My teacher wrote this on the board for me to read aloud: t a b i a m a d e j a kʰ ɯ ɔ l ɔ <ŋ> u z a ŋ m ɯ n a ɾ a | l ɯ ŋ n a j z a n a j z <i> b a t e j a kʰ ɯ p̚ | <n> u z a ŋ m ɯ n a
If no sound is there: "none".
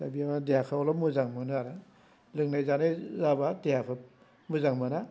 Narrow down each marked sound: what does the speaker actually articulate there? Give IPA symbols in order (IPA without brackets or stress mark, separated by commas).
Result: m, a, m